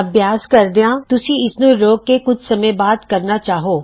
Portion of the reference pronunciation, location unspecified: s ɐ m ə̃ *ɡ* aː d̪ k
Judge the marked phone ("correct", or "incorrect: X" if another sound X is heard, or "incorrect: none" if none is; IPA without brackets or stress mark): incorrect: b